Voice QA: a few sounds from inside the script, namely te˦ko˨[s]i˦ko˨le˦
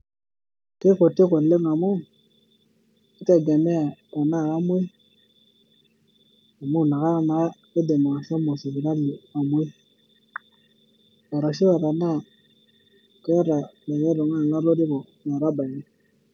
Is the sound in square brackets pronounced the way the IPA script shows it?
no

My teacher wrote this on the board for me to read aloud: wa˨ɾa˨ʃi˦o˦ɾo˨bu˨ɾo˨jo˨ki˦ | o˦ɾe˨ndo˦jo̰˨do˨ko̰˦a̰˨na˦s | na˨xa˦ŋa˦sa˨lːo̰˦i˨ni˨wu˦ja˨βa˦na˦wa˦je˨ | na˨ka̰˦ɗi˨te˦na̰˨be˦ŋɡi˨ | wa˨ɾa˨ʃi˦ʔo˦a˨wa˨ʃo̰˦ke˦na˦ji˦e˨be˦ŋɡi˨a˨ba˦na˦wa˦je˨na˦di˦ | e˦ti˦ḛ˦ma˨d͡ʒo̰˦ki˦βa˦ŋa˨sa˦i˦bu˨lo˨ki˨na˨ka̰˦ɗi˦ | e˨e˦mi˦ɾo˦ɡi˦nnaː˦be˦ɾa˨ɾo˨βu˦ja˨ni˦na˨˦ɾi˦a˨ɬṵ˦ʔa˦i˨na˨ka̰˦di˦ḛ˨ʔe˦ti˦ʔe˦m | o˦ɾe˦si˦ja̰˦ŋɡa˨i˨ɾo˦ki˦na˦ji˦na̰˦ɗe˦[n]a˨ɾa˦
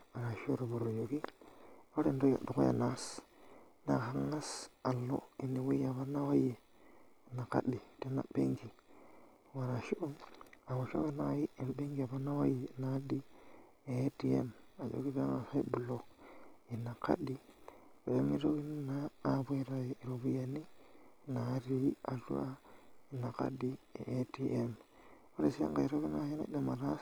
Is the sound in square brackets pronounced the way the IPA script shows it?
no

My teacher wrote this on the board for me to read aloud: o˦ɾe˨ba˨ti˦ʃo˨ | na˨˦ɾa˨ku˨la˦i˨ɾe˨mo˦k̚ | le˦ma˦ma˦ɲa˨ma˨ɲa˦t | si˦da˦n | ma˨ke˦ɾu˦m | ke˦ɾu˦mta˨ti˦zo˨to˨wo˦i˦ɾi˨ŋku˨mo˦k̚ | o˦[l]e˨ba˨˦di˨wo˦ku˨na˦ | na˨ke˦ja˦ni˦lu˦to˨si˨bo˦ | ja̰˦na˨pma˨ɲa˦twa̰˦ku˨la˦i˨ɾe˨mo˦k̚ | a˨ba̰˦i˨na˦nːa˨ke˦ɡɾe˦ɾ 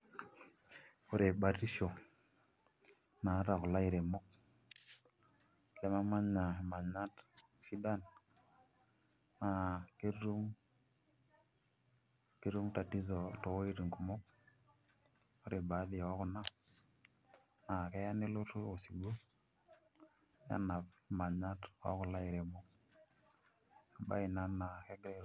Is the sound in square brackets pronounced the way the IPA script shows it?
no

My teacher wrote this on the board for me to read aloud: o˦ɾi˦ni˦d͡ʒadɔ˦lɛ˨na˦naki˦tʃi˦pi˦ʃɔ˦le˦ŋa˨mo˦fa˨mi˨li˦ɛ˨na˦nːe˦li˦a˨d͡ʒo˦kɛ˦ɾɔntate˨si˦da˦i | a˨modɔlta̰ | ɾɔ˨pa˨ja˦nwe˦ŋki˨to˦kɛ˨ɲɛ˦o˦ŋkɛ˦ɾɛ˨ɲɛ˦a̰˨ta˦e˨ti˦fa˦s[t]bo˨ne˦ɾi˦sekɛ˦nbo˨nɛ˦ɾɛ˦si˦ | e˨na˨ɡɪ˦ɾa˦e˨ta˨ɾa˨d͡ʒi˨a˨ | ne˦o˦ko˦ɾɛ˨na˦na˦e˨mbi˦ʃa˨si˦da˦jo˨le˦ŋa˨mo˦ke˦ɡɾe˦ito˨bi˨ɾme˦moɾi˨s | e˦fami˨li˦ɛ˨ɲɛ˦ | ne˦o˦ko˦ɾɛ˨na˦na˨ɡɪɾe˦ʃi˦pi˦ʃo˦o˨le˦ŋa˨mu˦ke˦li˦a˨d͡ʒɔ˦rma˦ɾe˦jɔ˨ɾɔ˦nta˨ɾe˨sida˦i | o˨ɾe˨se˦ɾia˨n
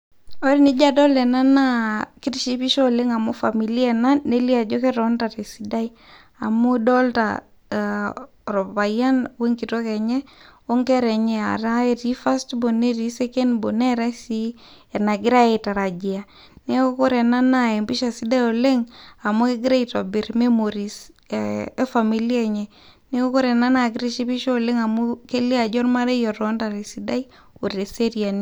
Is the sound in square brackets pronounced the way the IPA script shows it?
yes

